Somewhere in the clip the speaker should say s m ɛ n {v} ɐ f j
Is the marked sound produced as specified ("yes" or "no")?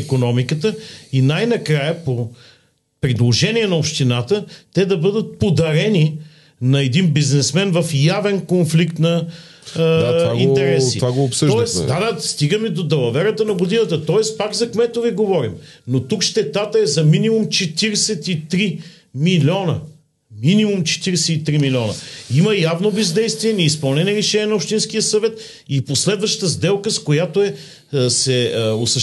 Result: yes